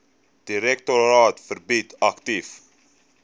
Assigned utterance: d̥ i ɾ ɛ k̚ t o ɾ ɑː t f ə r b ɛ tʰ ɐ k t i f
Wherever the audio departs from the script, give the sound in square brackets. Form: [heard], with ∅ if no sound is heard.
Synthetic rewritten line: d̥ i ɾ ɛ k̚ t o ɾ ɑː t f ə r b [i] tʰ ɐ k t i f